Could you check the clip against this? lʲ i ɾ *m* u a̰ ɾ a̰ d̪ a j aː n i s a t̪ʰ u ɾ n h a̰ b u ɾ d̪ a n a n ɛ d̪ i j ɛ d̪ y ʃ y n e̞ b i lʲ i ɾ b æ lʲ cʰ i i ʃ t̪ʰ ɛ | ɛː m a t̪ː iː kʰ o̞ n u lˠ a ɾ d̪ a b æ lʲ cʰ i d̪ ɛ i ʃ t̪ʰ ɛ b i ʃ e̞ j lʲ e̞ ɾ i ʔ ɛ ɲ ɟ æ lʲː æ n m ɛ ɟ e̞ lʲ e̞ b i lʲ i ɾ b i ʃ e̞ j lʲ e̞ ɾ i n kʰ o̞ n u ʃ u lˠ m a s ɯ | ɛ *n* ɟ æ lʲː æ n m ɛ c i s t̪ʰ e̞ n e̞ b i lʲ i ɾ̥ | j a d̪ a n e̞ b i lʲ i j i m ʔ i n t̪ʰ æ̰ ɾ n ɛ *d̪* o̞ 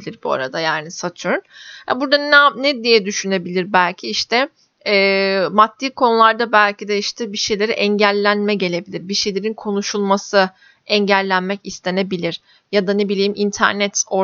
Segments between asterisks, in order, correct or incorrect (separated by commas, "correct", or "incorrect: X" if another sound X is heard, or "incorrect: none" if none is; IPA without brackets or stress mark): incorrect: b, incorrect: ɲ, incorrect: t̪